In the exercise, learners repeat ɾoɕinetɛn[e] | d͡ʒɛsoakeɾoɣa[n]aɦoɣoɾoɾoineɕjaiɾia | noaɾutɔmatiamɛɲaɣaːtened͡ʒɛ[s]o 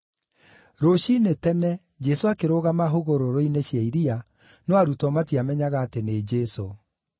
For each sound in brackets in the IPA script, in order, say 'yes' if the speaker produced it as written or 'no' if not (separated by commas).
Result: no, no, yes